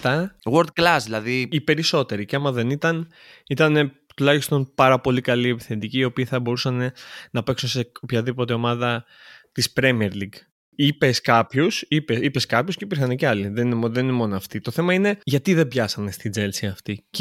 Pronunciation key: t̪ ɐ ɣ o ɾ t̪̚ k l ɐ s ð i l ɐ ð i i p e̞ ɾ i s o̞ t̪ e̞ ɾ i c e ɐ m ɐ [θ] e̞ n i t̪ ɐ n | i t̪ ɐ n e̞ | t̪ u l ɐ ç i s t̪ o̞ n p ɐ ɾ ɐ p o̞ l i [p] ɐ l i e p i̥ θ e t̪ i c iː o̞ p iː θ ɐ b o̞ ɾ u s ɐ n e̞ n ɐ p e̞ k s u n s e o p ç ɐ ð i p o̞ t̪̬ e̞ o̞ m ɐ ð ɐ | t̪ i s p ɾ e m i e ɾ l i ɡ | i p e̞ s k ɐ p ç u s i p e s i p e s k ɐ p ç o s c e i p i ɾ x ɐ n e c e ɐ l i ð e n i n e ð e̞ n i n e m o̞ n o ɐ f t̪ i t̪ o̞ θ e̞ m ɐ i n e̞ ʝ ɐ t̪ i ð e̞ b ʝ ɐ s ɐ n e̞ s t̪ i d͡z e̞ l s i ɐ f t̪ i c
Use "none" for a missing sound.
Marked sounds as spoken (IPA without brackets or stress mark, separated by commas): ð, k